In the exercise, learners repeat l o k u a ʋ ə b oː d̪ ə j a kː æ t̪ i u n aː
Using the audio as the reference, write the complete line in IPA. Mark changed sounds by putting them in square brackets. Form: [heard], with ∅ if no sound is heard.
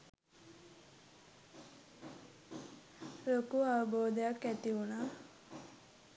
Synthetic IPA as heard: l o k u a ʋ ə b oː d̪ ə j a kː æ t̪ i u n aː